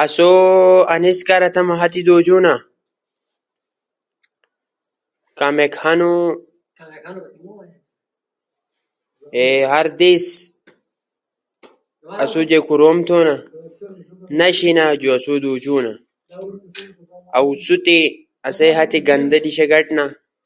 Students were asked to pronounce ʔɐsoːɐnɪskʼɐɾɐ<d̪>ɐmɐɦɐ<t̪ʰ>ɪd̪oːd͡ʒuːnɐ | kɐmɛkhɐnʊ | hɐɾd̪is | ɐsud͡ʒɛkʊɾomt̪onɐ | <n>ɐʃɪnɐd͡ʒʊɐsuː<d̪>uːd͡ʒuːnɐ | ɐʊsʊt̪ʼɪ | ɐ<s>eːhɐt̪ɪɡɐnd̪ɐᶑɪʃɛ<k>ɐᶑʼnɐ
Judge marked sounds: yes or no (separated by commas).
no, no, yes, yes, yes, no